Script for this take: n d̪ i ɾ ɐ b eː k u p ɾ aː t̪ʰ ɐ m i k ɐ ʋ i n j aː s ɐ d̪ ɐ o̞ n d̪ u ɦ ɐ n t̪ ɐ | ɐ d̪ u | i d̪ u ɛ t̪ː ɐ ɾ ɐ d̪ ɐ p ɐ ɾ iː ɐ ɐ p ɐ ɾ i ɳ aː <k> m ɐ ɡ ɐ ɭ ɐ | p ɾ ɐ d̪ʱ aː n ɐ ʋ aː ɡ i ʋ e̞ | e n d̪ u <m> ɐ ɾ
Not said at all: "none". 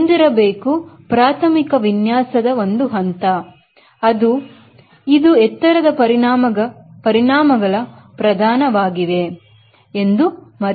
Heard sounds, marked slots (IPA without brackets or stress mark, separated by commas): none, m